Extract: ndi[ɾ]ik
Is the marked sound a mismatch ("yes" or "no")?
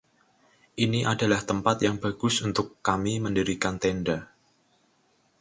no